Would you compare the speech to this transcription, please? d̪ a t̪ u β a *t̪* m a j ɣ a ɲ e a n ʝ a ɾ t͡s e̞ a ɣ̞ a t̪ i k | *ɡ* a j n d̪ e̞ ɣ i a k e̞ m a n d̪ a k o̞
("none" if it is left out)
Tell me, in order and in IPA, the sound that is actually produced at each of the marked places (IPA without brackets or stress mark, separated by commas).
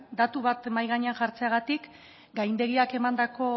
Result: t̪, ɡ